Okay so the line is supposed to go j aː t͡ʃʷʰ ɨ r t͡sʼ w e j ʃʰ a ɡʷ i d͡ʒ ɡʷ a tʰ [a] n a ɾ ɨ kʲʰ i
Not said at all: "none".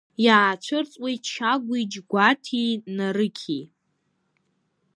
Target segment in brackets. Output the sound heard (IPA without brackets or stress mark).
i